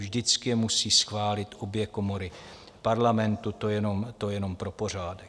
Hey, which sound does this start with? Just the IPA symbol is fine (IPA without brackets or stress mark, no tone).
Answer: ʒ